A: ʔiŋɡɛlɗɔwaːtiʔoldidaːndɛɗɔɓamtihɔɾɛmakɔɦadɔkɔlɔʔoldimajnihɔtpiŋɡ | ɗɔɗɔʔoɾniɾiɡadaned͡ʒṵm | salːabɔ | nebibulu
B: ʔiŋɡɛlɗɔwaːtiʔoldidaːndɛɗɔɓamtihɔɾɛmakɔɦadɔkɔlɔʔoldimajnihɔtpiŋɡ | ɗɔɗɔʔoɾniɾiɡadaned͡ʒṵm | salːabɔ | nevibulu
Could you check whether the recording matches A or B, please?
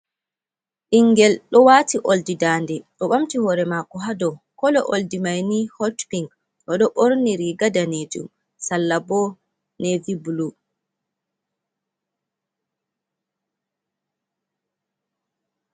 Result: B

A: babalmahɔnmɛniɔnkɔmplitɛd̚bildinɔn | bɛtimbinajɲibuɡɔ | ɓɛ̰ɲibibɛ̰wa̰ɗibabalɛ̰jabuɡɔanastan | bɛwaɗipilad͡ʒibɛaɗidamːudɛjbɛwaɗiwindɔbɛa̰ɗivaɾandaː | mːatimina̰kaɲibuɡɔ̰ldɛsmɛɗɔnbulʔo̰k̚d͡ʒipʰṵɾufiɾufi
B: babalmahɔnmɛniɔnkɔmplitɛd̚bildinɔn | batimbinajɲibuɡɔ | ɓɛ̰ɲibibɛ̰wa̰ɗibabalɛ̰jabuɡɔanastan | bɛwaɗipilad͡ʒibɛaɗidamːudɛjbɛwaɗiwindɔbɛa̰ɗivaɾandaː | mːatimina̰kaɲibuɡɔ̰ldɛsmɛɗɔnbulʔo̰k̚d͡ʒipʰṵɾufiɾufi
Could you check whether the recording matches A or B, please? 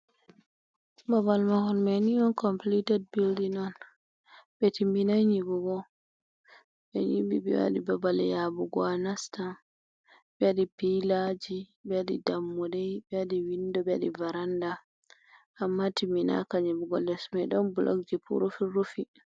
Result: A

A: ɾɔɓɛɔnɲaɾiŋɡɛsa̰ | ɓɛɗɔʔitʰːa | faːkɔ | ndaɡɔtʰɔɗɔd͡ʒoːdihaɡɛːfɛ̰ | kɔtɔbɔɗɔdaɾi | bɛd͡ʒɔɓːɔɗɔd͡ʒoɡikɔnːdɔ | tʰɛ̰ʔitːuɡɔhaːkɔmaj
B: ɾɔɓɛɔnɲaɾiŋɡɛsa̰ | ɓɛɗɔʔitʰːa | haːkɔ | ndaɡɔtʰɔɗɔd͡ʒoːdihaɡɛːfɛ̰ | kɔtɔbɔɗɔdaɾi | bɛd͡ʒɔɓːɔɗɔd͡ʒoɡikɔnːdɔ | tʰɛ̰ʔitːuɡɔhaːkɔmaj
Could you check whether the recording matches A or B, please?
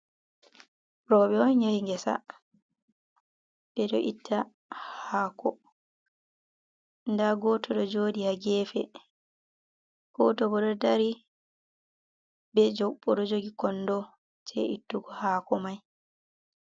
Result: B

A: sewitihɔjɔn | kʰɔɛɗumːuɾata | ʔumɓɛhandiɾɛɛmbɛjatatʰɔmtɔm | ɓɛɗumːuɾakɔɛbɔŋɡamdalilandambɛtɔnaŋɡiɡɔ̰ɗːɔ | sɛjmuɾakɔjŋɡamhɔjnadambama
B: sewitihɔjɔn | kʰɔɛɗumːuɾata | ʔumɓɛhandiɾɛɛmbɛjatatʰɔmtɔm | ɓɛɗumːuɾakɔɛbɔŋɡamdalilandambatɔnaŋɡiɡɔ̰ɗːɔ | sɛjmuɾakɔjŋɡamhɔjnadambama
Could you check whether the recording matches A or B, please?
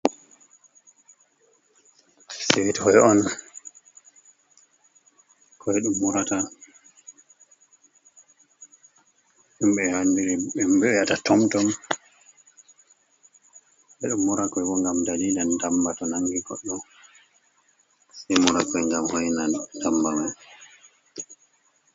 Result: B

